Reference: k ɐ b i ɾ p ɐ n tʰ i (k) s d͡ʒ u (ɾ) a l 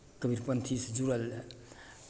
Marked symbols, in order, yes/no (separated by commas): no, yes